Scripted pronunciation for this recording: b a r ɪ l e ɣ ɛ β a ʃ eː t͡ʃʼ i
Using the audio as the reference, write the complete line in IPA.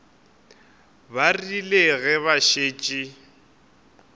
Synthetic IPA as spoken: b a r i l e ɣ ɛ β a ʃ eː t͡ʃʼ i